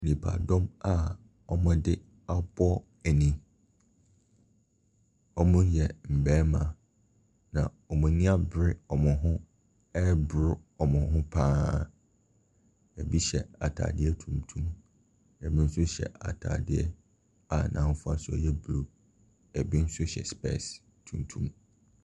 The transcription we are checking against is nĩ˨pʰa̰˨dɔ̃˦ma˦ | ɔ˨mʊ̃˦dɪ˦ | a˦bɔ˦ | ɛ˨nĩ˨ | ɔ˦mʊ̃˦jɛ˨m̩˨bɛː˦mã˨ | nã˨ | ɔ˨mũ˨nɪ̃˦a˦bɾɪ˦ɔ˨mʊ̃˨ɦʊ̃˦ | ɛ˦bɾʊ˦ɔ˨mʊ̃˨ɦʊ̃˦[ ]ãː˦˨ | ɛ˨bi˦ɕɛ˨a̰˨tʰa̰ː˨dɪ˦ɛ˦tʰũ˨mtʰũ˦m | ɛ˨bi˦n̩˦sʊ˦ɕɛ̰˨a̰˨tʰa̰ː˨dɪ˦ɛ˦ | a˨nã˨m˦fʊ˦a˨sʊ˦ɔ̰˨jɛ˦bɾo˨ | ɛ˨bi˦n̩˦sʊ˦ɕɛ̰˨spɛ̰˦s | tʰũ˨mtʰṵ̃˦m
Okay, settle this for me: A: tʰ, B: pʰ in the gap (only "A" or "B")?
B